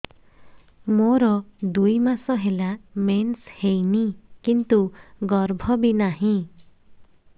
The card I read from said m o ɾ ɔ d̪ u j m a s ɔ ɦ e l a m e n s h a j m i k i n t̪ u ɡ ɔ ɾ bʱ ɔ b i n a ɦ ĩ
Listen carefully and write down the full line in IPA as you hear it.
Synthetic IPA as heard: m o ɾ ɔ d̪ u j m a s ɔ ɦ e l a m e n s h e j n i k i n t̪ u ɡ ɔ ɾ bʱ ɔ b i n a ɦ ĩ

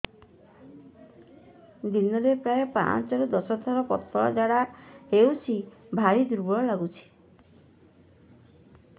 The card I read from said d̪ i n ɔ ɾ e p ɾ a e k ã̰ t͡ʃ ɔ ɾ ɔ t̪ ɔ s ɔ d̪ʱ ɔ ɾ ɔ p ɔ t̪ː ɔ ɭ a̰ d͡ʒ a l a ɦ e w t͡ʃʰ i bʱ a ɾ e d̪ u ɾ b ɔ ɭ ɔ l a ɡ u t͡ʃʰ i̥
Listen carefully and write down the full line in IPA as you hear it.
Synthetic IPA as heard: d̪ i n ɔ ɾ e p ɾ a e p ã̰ t͡ʃ ɔ ɾ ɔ d̪ ɔ s ɔ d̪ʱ ɔ ɾ ɔ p ɔ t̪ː ɔ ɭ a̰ d͡ʒ a ɽ a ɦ e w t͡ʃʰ i bʱ a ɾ i d̪ u ɾ b ɔ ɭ ɔ l a ɡ u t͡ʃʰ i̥

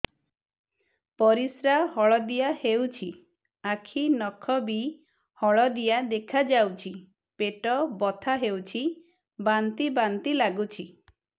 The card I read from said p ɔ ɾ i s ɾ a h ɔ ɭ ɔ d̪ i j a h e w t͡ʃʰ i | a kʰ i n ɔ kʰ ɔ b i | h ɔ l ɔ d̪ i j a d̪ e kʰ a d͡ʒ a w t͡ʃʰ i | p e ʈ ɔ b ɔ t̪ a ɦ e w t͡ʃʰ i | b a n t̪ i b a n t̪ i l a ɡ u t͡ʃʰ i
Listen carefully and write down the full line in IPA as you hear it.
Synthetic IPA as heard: p ɔ ɾ i s ɾ a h ɔ ɭ ɔ d̪ i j a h e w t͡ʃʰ i | a kʰ i n ɔ kʰ ɔ b i | h ɔ ɭ ɔ d̪ i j a d̪ e kʰ a d͡ʒ a w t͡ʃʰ i | p e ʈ ɔ b ɔ t̪ʰ a ɦ e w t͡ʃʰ i | b a n t̪ i b a n t̪ i l a ɡ u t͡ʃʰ i

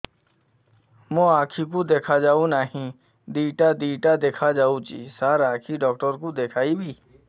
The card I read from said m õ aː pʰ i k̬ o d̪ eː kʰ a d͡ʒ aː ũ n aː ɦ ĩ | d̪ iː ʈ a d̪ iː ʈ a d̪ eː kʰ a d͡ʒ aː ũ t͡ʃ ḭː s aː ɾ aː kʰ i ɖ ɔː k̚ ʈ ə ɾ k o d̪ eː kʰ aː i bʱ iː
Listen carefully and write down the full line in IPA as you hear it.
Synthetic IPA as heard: m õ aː kʰ i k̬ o d̪ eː kʰ a d͡ʒ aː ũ n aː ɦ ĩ | d̪ iː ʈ a d̪ iː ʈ a d̪ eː kʰ a d͡ʒ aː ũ t͡ʃ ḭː s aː ɾ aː kʰ i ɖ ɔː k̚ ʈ ə ɾ k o d̪ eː kʰ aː i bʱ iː

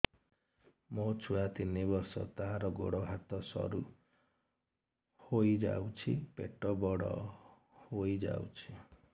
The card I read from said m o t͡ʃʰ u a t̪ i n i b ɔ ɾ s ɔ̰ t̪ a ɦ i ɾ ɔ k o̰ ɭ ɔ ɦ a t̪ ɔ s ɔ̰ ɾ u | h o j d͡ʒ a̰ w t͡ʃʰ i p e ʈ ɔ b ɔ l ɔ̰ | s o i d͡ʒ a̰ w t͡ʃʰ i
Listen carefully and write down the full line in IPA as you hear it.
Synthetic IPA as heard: m o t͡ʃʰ u a t̪ i n i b ɔ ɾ s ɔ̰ t̪ a ɦ a ɾ ɔ ɡ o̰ ɽ ɔ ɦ a t̪ ɔ s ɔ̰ ɾ u | h o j d͡ʒ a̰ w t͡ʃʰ i p e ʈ ɔ b ɔ ɽ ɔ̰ | h o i d͡ʒ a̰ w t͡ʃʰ i

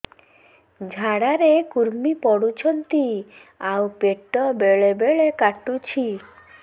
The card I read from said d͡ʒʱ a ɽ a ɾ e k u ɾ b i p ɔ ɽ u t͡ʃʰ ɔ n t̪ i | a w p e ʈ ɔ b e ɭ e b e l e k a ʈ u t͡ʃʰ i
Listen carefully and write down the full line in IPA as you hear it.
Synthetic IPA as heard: d͡ʒʱ a ɽ a ɾ e k u ɾ m i p ɔ ɽ u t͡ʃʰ ɔ n t̪ i | a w p e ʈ ɔ b e ɭ e b e ɭ e k a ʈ u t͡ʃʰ i

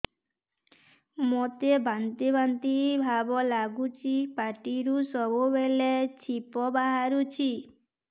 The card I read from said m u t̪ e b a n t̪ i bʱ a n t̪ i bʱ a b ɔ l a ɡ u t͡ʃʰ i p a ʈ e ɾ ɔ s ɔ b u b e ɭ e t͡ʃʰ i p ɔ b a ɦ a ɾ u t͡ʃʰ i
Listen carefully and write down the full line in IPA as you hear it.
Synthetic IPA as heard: m o t̪ e b a n t̪ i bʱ a n t̪ i bʱ a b ɔ l a ɡ u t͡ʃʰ i p a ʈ i ɾ u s ɔ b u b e l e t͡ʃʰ i p ɔ b a ɦ a ɾ u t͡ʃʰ i

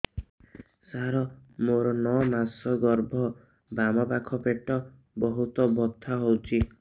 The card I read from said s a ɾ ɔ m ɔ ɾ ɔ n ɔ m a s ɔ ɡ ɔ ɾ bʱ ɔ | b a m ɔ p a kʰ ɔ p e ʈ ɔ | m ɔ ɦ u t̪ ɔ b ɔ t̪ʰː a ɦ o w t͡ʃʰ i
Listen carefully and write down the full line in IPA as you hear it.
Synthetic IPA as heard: s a ɾ ɔ m o ɾ ɔ n ɔ m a s ɔ ɡ ɔ ɾ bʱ ɔ | b a m ɔ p a kʰ ɔ p e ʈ ɔ | b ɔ ɦ u t̪ ɔ b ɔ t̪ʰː a ɦ o w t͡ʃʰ i

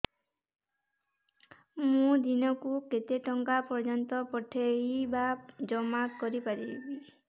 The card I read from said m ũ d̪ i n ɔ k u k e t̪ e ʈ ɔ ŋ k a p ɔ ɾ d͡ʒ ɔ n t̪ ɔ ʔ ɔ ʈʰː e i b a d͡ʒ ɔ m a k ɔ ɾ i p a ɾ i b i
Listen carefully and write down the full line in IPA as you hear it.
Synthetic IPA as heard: m ũ d̪ i n ɔ k u k e t̪ e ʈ ɔ ŋ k a p ɔ ɾ d͡ʒ ɔ n t̪ ɔ p ɔ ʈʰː e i b a d͡ʒ ɔ m a k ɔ ɾ i p a ɾ i b i

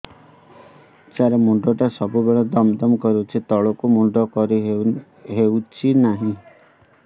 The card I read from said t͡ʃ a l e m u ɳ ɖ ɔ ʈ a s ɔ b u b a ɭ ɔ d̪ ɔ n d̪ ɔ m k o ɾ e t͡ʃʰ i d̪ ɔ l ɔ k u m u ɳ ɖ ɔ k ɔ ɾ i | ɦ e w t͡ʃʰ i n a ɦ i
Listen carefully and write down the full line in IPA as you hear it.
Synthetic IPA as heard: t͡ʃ a ɾ e m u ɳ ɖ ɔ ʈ a s ɔ b u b e ɭ ɔ d̪ ɔ m d̪ ɔ m k ɔ ɾ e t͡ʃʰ i t̪ ɔ ɭ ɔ k u m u ɳ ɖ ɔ k ɔ ɾ i | ɦ e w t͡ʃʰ i n a ɦ ĩ

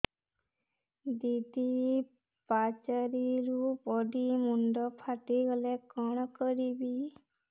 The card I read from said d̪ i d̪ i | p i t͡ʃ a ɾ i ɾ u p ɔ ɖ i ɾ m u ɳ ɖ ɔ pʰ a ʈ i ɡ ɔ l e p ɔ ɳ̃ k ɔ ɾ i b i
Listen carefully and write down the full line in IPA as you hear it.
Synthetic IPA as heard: d̪ i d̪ i | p a t͡ʃ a ɾ i ɾ u p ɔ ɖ i m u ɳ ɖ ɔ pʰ a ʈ i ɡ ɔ l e k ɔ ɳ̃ k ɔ ɾ i b i

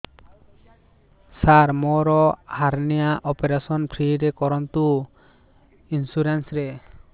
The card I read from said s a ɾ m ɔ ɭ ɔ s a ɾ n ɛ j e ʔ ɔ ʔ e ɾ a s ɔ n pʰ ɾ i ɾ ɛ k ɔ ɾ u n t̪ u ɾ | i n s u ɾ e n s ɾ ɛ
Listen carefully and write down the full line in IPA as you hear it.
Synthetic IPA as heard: s a ɾ m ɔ ɾ ɔ h a ɾ n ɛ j a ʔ ɔ p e ɾ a s ɔ n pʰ ɾ i ɾ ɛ k ɔ ɾ ɔ n t̪ u | i n s u ɾ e n s ɾ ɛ

